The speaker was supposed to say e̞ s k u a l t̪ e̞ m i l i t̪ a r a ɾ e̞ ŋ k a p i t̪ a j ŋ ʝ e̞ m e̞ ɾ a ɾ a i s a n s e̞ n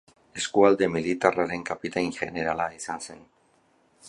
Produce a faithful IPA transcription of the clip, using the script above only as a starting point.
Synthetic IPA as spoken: e̞ s k u a l d̪ e̞ m i l i t̪ a r a ɾ e̞ ŋ k a p i t̪ a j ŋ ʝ e̞ n e̞ ɾ a l a i s a n s e̞ n